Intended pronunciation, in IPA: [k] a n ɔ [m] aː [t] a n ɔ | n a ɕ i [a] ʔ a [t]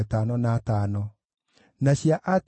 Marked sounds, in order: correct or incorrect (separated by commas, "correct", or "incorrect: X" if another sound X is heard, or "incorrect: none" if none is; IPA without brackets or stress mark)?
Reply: incorrect: t, incorrect: n, correct, correct, correct